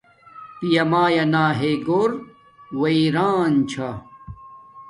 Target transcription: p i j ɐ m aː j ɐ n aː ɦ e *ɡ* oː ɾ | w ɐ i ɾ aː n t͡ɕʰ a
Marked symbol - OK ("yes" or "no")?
yes